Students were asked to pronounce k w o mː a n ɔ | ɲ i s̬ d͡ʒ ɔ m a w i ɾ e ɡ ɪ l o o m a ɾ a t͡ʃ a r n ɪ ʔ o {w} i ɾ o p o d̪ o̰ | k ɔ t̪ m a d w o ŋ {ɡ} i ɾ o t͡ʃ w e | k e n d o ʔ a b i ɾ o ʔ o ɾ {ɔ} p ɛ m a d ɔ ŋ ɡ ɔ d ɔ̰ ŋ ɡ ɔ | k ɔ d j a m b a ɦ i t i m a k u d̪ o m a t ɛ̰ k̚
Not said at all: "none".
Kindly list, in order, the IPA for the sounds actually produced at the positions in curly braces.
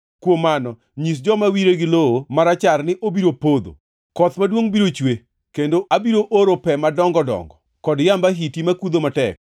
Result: b, b, o

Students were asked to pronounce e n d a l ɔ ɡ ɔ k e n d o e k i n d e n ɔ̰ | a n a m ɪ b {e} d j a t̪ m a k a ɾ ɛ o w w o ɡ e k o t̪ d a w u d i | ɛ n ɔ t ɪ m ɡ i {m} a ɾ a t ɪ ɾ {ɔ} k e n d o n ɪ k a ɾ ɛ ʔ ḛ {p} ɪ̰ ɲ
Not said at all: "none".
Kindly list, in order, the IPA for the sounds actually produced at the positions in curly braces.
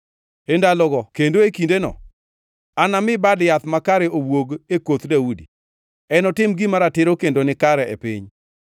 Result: a, m, o, p

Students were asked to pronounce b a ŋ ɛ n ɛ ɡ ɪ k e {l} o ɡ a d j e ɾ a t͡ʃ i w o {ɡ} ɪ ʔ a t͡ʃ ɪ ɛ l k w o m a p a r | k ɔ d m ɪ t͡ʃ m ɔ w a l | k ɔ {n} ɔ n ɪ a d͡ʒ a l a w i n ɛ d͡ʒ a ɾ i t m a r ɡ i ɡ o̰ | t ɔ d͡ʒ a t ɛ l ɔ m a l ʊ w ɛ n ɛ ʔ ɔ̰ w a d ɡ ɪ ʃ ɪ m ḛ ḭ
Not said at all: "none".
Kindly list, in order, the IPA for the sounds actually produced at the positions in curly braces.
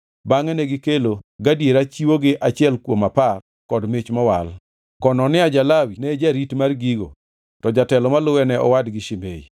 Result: l, ɡ, n

